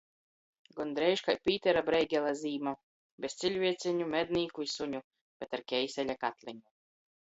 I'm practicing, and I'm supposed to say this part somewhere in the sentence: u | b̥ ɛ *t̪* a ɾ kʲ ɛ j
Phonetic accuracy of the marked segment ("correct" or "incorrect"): correct